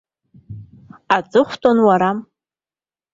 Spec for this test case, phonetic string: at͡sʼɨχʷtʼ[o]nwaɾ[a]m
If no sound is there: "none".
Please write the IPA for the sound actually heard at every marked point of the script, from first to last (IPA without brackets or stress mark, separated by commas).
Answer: o, a